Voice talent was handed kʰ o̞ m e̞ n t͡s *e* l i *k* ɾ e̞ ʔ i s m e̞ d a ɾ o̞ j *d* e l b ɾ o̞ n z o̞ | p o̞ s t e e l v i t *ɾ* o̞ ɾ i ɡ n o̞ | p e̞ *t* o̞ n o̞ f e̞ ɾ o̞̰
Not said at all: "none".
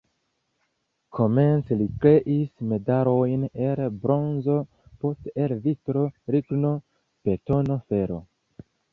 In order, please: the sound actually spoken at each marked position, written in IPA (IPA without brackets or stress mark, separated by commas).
e, k, n, ɾ, t